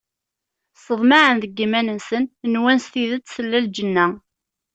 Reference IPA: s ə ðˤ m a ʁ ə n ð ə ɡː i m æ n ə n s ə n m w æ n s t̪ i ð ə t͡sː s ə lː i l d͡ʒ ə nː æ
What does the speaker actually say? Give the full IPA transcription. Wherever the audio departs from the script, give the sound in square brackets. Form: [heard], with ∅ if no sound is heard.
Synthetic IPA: s ə ðˤ m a [ʕ] ə n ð ə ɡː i m æ n ə n s ə n [n] w æ n s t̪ i ð ə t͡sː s ə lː [æ] l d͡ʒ ə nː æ